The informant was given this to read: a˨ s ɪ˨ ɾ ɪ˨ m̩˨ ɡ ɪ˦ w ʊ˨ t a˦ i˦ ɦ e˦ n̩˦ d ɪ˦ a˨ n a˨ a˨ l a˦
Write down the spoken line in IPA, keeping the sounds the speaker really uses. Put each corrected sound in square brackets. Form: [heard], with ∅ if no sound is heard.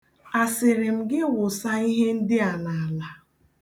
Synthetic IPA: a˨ s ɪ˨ ɾ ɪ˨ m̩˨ ɡ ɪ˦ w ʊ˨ [s] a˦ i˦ ɦ e˦ n̩˦ d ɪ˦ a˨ n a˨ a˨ l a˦